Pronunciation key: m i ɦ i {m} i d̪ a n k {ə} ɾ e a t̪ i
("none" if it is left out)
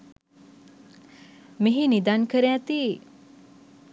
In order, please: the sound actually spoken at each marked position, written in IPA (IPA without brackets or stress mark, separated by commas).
n, ə